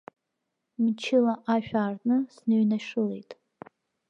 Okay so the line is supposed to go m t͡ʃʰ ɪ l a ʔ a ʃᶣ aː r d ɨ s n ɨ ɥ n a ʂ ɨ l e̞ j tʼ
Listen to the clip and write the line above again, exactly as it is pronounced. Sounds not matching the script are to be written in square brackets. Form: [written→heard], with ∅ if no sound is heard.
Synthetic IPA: m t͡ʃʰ ɪ l a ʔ a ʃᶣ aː r [d→n] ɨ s n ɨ ɥ n a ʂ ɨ l e̞ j tʼ